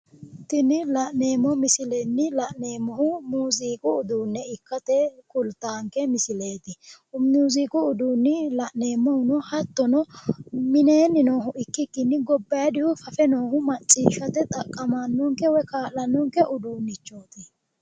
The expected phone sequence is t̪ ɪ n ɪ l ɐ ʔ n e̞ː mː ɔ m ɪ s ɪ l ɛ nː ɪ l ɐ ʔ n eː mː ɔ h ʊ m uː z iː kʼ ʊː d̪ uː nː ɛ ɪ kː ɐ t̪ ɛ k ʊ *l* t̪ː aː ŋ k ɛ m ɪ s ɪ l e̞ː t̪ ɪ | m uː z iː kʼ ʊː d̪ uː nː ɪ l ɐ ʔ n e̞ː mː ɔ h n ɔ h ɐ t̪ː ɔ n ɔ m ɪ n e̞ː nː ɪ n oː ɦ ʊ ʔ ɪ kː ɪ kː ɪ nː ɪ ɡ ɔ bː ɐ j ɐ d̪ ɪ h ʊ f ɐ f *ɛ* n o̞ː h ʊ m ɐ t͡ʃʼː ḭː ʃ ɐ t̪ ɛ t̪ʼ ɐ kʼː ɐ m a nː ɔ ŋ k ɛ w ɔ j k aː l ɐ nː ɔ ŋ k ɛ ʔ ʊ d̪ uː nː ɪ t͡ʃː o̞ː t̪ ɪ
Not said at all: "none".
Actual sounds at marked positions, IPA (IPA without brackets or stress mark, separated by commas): l, ɛ